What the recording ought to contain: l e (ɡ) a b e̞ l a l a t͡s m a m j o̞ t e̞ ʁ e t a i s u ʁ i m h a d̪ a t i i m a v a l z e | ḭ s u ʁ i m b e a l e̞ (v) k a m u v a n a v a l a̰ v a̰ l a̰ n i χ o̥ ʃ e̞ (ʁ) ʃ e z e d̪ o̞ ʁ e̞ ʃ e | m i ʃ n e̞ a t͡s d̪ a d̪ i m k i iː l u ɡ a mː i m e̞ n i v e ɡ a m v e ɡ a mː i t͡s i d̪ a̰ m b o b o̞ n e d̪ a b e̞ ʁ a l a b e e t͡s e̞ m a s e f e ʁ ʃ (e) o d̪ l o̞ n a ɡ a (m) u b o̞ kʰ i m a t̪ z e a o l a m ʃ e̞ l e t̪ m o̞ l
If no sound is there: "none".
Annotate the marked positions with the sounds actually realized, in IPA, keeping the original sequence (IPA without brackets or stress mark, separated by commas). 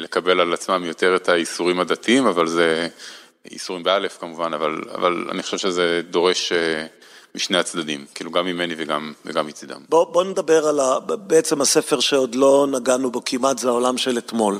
k, f, v, e, n